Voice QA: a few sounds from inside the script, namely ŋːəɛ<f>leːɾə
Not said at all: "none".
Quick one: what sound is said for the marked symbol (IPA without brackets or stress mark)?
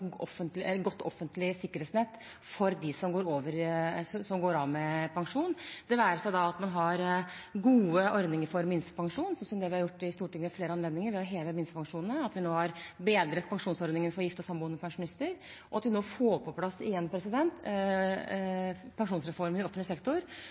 f